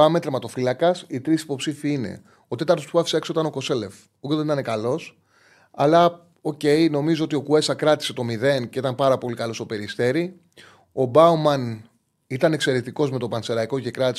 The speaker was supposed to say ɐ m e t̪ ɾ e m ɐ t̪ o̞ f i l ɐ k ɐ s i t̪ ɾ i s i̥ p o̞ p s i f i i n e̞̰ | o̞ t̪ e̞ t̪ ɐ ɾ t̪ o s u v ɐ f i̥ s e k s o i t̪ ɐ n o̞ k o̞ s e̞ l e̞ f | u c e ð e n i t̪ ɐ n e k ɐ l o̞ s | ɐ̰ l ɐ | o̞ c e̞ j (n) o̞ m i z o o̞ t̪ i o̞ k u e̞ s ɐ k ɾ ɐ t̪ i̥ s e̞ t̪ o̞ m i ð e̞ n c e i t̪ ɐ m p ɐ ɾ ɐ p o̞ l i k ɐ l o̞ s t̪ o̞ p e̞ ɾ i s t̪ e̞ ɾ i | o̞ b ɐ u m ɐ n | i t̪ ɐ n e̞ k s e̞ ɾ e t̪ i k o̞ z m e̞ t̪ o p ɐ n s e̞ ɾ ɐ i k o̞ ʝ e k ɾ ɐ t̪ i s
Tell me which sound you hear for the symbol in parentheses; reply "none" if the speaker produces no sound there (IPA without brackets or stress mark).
n